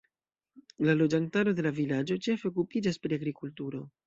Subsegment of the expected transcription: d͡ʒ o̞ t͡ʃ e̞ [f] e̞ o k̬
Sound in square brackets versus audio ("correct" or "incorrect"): correct